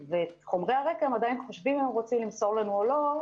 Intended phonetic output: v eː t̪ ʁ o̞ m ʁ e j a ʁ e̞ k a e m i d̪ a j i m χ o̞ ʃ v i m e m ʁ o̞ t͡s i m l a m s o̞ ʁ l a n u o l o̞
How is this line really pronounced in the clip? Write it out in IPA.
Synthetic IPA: v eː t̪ χ o̞ m ʁ e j a ʁ e̞ k a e m a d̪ a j i n χ o̞ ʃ v i m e m ʁ o̞ t͡s i m l i m s o̞ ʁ l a n u o l o̞